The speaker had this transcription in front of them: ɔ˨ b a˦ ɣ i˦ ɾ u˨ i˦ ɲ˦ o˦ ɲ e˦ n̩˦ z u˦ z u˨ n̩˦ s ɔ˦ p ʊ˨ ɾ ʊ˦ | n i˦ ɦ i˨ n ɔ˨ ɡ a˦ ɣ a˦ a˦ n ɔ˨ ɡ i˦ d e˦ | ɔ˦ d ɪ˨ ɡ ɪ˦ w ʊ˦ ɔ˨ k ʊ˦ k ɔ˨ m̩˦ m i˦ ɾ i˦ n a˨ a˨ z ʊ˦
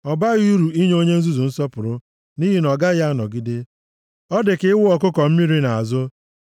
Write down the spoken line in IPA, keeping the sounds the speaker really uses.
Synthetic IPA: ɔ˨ b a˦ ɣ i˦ ɾ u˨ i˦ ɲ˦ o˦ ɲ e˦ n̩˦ z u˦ z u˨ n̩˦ s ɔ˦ p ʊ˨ ɾ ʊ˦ | n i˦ ɦ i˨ n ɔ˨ ɡ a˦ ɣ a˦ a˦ n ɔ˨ ɡ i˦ d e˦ | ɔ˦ d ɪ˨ k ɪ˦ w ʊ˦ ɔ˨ k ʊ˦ k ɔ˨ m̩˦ m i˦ ɾ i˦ n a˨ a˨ z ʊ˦